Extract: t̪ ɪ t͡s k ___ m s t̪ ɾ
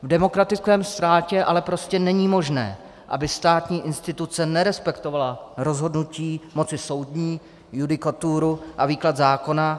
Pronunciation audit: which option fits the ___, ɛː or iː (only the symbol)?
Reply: ɛː